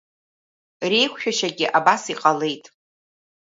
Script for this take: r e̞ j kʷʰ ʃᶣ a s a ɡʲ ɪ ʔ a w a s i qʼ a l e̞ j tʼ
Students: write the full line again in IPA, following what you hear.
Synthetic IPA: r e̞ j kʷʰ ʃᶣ a ʃ a ɡʲ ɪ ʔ a b a s i qʼ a l e̞ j tʼ